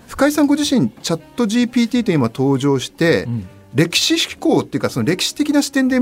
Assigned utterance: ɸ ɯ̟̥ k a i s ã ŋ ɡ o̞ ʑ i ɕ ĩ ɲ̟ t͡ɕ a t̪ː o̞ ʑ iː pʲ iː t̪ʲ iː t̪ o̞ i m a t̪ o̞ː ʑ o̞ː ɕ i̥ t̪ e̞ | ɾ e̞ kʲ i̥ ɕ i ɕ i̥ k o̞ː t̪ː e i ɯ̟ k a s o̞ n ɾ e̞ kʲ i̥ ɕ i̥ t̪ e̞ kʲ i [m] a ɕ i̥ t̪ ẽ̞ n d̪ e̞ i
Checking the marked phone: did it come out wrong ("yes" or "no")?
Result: yes